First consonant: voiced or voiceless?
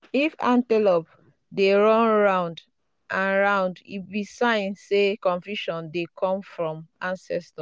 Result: voiceless